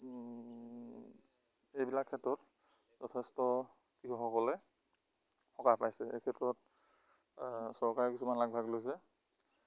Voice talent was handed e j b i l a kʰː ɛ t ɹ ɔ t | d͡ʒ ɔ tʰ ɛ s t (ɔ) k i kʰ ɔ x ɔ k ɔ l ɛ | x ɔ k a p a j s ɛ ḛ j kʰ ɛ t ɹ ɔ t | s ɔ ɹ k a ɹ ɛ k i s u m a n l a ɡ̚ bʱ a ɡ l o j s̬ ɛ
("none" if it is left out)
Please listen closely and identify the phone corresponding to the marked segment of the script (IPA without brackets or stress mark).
ɔ